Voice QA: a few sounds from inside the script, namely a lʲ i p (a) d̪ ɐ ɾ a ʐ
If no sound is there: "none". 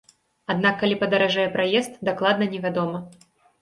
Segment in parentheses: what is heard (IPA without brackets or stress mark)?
ɐ